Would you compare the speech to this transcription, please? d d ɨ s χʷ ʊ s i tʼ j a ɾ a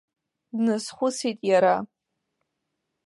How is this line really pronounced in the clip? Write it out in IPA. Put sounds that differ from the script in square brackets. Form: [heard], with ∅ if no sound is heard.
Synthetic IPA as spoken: d [n] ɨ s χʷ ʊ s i tʼ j a ɾ a